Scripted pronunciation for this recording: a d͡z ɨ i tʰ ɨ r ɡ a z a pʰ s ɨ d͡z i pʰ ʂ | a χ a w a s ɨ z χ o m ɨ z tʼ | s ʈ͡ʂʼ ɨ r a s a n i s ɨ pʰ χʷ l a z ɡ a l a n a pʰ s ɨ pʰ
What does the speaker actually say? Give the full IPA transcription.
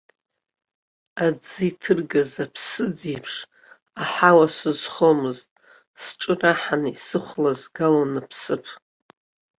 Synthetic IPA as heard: a d͡z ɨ i tʰ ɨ r ɡ a z a pʰ s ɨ d͡z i pʰ ʂ | a ħ a w a s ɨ z χ o m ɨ z tʼ | s ʈ͡ʂʼ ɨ r a ħ a n i s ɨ χʷ l a z ɡ a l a n a pʰ s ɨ pʰ